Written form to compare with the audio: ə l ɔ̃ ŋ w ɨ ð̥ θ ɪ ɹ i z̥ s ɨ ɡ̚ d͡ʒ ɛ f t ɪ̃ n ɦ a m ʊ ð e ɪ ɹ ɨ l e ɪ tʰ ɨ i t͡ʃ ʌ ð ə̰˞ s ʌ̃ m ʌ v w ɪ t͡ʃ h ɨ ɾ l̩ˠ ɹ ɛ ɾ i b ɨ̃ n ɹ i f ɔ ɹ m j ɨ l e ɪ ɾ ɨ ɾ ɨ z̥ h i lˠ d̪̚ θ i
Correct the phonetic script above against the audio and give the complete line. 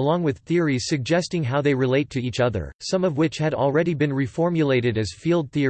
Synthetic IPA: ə l ɔ̃ ŋ w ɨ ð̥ θ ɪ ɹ i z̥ s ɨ ɡ̚ d͡ʒ ɛ s t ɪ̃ ŋ ɦ a ʊ ð e ɪ ɹ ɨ l e ɪ tʰ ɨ i t͡ʃ ʌ ð ə̰˞ s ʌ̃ m ʌ v w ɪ t͡ʃ h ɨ ɾ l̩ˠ ɹ ɛ ɾ i b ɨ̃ n ɹ i f ɔ ɹ m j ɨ l e ɪ ɾ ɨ ɾ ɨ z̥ f i lˠ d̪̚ θ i